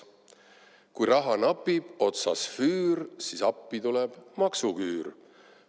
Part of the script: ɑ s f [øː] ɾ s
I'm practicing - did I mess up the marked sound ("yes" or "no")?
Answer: yes